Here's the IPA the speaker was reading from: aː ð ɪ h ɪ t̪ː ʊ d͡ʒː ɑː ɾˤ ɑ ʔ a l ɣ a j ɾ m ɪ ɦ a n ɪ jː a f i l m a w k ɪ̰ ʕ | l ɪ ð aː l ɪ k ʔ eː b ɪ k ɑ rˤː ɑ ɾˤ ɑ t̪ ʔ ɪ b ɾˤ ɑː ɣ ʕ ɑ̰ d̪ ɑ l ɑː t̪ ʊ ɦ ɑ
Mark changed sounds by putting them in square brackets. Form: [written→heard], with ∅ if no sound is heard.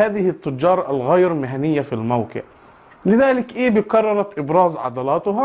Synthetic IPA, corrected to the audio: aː ð ɪ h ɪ t̪ː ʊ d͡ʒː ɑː ɾˤ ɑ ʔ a l ɣ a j ɾ m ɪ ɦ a n ɪ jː a f i l m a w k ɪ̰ ʕ | l ɪ ð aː l ɪ k ʔ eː b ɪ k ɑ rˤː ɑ ɾˤ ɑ t̪ ʔ ɪ b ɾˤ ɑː [ɣ→z] ʕ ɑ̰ d̪ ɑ l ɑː t̪ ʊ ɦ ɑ

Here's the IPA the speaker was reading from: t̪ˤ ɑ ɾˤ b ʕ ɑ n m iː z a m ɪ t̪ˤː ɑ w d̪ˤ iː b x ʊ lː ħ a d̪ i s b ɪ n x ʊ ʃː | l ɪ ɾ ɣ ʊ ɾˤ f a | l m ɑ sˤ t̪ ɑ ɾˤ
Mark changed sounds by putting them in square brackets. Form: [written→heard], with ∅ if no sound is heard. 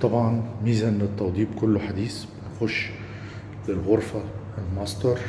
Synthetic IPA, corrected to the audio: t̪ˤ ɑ [ɾˤ→∅] b ʕ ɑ n m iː z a [m→n] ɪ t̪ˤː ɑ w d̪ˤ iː b [x→k] ʊ lː ħ a d̪ [i→iː] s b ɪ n x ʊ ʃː | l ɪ [ɾ→l] ɣ ʊ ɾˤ f a | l m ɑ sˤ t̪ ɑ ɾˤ

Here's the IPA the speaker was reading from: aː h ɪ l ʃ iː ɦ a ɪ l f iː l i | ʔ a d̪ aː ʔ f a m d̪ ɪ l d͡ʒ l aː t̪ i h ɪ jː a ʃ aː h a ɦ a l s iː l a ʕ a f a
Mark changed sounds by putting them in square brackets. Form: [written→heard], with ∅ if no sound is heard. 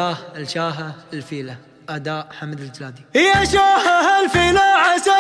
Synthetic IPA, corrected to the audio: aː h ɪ l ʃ [iː→aː] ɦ a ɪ l f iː l [i→a] | ʔ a d̪ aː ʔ [f→ħ] a m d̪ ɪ l d͡ʒ l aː [t̪→d̪] i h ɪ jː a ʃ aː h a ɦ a l [s→f] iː l a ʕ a [f→s] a

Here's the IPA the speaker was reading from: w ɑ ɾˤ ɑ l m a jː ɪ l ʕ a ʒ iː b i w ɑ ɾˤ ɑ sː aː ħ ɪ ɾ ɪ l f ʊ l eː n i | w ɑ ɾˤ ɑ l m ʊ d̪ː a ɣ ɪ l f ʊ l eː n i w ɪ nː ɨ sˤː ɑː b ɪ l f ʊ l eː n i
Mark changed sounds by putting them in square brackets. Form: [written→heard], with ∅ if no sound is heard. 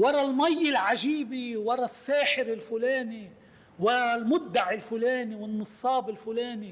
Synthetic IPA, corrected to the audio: w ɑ ɾˤ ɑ l m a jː ɪ l ʕ a ʒ iː b i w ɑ ɾˤ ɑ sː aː ħ ɪ ɾ ɪ l f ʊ l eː n i | w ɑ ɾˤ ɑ l m ʊ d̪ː a [ɣ→ʕ] ɪ l f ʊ l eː n i w ɪ nː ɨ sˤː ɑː b ɪ l f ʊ l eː n i

